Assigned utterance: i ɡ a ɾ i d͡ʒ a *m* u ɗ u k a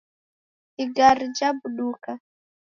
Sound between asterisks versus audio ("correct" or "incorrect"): incorrect